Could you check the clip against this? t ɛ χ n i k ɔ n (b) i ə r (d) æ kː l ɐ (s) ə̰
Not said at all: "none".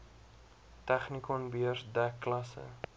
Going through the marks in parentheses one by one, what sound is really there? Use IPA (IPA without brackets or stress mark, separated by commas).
b, d, s